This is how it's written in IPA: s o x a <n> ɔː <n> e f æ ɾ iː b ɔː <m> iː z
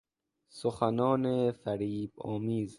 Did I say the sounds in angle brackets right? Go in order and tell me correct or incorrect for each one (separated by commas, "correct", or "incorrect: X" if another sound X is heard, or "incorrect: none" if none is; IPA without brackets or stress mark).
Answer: correct, correct, correct